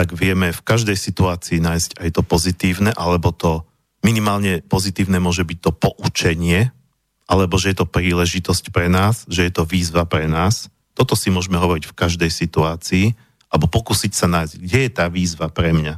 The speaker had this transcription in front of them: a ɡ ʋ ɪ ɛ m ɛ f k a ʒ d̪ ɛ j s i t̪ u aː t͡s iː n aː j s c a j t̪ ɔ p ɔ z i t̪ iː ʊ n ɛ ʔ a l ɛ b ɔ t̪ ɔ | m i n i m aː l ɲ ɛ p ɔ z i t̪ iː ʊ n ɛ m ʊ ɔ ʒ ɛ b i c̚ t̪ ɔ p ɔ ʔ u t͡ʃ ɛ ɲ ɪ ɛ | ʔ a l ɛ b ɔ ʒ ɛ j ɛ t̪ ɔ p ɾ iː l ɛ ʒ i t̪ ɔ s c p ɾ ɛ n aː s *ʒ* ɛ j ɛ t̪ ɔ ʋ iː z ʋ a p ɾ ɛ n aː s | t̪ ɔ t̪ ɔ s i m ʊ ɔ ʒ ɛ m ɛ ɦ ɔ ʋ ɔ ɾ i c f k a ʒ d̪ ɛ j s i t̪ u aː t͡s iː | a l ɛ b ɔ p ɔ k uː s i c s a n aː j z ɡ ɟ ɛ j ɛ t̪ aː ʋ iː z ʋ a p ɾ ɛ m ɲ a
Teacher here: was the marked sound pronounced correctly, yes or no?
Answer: yes